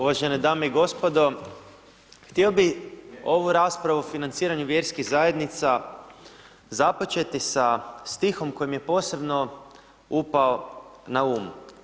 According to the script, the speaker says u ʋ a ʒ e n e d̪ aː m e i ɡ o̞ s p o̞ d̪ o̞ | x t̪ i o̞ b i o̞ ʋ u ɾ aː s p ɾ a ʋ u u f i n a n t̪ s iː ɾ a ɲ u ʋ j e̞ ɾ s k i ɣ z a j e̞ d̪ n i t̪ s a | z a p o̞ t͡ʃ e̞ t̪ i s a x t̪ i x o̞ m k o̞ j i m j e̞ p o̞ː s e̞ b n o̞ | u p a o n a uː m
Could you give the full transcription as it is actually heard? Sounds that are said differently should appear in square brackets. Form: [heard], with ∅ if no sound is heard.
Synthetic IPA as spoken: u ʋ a ʒ e n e d̪ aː m e i ɡ o̞ s p o̞ d̪ o̞ | x t̪ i o̞ b i o̞ ʋ u ɾ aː s p ɾ a ʋ u [o] f i n a n t̪ s iː ɾ a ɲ u ʋ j e̞ ɾ s k i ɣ z a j e̞ d̪ n i t̪ s a | z a p o̞ t͡ʃ e̞ t̪ i s a [s] t̪ i x o̞ m k o̞ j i m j e̞ p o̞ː s e̞ b n o̞ | u p a o n a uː m

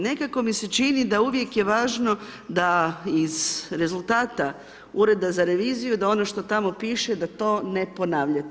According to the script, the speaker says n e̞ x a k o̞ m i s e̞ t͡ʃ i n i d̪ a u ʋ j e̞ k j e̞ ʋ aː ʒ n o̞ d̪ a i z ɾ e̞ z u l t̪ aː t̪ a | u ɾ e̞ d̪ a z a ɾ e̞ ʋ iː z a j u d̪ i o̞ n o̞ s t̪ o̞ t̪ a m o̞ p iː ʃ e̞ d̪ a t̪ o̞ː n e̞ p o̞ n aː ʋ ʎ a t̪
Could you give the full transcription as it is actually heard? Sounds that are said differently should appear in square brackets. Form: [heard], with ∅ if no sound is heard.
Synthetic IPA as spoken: n e̞ [k] a k o̞ m i s e̞ t͡ʃ i n i d̪ a u ʋ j e̞ k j e̞ ʋ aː ʒ n o̞ d̪ a i z ɾ e̞ z u l t̪ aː t̪ a | u ɾ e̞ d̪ a z a ɾ e̞ ʋ iː z [i] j u d̪ [a] o̞ n o̞ [ʃ] t̪ o̞ t̪ a m o̞ p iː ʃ e̞ d̪ a t̪ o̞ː n e̞ p o̞ n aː ʋ ʎ a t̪

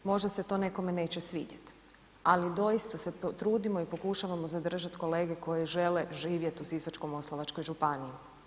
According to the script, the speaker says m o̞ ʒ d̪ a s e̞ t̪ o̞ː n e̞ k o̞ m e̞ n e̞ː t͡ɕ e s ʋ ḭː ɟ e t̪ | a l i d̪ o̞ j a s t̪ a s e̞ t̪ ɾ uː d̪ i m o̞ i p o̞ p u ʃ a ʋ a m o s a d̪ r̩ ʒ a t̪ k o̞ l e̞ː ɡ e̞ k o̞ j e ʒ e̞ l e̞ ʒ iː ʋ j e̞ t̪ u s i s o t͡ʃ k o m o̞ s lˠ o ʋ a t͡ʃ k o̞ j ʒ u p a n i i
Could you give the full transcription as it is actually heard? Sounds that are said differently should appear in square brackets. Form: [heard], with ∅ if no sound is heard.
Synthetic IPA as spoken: m o̞ ʒ d̪ a s e̞ t̪ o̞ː n e̞ k o̞ m e̞ n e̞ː t͡ɕ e s ʋ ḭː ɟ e t̪ | a l i d̪ o̞ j [i] s t̪ a s e̞ t̪ ɾ uː d̪ i m o̞ i p o̞ [k] u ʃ a ʋ a m o [z] a d̪ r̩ ʒ a t̪ k o̞ l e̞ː ɡ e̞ k o̞ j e ʒ e̞ l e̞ ʒ iː ʋ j e̞ t̪ u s i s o t͡ʃ k o m o̞ s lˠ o ʋ a t͡ʃ k o̞ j ʒ u p a n i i

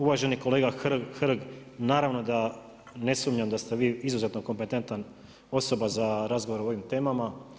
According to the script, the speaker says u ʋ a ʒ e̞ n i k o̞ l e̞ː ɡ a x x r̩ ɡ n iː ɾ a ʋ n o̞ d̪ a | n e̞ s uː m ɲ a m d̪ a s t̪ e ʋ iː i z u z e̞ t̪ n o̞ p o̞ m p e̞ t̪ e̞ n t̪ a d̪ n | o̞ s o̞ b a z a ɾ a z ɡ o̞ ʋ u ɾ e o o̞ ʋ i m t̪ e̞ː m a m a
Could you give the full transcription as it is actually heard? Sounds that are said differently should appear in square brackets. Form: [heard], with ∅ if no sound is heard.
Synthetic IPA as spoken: u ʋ a ʒ e̞ n i k o̞ l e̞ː ɡ a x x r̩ ɡ n [aː] ɾ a ʋ n o̞ d̪ a | n e̞ s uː m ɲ a m d̪ a s t̪ e ʋ iː i z u z e̞ t̪ n o̞ [k] o̞ m p e̞ t̪ e̞ n t̪ a [∅] n | o̞ s o̞ b a z a ɾ a z ɡ o̞ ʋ [o] ɾ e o o̞ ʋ i m t̪ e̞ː m a m a

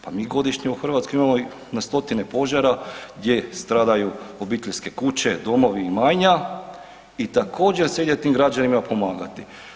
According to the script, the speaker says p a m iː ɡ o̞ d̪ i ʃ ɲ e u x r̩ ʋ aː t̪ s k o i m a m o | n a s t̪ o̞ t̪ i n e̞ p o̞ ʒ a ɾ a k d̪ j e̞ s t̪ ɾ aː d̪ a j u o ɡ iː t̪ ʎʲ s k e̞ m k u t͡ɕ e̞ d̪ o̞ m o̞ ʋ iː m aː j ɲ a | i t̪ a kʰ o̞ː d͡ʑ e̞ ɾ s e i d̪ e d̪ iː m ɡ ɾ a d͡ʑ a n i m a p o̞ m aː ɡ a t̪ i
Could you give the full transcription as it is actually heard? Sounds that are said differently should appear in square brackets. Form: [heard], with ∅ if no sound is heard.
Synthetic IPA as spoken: p a m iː ɡ o̞ d̪ i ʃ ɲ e u x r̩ ʋ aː t̪ s k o i m a m o | n a s t̪ o̞ t̪ i n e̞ p o̞ ʒ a ɾ a [ɡ] d̪ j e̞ s t̪ ɾ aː d̪ a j u o [b] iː t̪ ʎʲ s k e̞ [∅] k u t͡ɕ e̞ d̪ o̞ m o̞ ʋ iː m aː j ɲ a | i t̪ a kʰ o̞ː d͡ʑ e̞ ɾ s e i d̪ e [t̪] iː m ɡ ɾ a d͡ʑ a n i m a p o̞ m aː ɡ a t̪ i

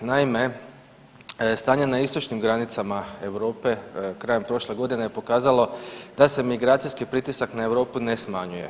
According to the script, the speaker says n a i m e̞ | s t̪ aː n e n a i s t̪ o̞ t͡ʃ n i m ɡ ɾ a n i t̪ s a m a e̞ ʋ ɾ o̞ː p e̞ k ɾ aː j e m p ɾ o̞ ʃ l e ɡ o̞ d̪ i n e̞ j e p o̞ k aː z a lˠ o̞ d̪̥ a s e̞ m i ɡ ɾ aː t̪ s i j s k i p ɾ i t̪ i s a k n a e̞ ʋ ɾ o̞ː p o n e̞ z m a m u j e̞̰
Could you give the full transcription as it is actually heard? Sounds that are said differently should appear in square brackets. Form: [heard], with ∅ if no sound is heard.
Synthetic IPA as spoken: n a i m e̞ | s t̪ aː [ɲ] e n a i s t̪ o̞ t͡ʃ n i m ɡ ɾ a n i t̪ s a m a e̞ ʋ ɾ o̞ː p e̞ k ɾ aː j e m p ɾ o̞ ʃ l e ɡ o̞ d̪ i n e̞ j e p o̞ k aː z a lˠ o̞ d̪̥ a s e̞ m i ɡ ɾ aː t̪ s i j s k i p ɾ i t̪ i s a k n a e̞ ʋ ɾ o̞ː p [u] n e̞ [s] m a [ɲ] u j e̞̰

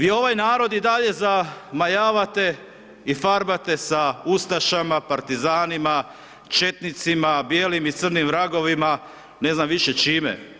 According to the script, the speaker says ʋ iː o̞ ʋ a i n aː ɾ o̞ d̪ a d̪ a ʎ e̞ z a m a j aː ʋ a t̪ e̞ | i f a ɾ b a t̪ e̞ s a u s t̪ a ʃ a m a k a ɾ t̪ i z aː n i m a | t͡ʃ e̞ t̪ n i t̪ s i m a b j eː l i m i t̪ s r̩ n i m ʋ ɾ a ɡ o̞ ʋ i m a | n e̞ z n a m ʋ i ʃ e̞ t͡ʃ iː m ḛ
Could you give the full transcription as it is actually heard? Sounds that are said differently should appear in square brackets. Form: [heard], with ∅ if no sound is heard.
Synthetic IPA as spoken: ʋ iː o̞ ʋ a [j] n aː ɾ o̞ d̪ [i] d̪ a ʎ e̞ z a m a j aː ʋ a t̪ e̞ | i f a ɾ b a t̪ e̞ s a u s t̪ a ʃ a m a [p] a ɾ t̪ i z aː n i m a | t͡ʃ e̞ t̪ n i t̪ s i m a b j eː l i m i t̪ s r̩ n i m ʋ ɾ a ɡ o̞ ʋ i m a | n e̞ z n a m ʋ i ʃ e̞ t͡ʃ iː m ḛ

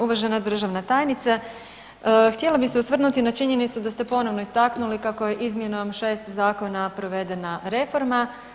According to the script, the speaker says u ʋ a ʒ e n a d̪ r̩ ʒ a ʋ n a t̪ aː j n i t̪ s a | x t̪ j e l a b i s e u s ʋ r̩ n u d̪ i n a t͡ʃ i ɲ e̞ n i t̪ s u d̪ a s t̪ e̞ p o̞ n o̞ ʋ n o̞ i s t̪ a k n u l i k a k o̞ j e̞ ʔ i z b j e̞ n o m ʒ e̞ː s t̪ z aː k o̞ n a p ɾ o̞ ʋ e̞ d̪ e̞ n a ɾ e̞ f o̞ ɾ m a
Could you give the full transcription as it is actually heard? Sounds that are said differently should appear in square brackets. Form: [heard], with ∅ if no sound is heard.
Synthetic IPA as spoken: u ʋ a ʒ e n a d̪ r̩ ʒ a ʋ n a t̪ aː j n i t̪ s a | x t̪ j e l a b i s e u s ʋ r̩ n u [t̪] i n a t͡ʃ i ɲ e̞ n i t̪ s u d̪ a s t̪ e̞ p o̞ n o̞ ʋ n o̞ i s t̪ a k n u l i k a k o̞ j e̞ ʔ i z [m] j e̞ n o m [ʃ] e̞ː s t̪ z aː k o̞ n a p ɾ o̞ ʋ e̞ d̪ e̞ n a ɾ e̞ f o̞ ɾ m a

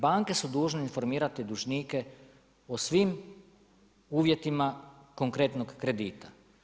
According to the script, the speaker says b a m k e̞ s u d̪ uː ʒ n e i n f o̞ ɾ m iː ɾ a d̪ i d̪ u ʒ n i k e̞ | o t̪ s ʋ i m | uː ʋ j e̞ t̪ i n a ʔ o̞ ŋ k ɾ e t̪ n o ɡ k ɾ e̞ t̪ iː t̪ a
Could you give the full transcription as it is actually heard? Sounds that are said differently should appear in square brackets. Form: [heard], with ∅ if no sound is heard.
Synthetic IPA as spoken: b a [ŋ] k e̞ s u d̪ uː ʒ n e i n f o̞ ɾ m iː ɾ a [t̪] i d̪ u ʒ n i k e̞ | o [∅] s ʋ i m | uː ʋ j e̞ t̪ i [m] a [k] o̞ ŋ k ɾ e t̪ n o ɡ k ɾ e̞ [d̪] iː t̪ a

